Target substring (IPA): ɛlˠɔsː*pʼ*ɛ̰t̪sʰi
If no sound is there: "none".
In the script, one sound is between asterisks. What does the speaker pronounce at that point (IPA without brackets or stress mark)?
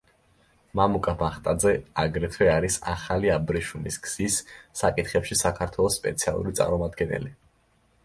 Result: pʼ